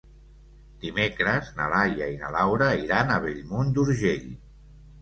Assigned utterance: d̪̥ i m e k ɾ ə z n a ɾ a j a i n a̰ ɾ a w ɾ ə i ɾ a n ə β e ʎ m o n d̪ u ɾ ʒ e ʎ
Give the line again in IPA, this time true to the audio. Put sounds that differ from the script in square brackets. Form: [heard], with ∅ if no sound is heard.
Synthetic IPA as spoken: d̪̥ i m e k ɾ ə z n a [l] a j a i n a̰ [l] a w ɾ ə i ɾ a n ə β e ʎ m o n d̪ u ɾ ʒ e ʎ